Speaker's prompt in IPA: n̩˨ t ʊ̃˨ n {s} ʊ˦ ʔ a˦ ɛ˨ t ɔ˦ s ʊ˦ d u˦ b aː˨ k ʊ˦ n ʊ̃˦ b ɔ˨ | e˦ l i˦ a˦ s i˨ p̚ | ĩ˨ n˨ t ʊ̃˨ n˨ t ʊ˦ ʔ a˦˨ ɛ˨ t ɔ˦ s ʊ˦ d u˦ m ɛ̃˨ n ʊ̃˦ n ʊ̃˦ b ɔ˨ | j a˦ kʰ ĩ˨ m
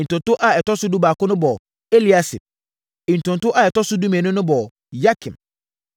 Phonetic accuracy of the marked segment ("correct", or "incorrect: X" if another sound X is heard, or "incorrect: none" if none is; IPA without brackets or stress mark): incorrect: t